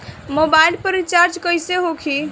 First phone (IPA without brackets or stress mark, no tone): m